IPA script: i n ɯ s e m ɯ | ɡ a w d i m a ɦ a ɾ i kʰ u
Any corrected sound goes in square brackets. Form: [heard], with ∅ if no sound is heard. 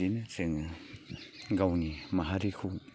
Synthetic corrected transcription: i n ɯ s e [ŋ] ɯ | ɡ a w [n] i m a ɦ a ɾ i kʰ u